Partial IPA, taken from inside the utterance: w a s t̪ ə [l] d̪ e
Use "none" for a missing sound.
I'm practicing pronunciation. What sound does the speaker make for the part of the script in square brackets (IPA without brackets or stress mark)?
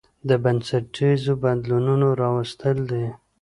l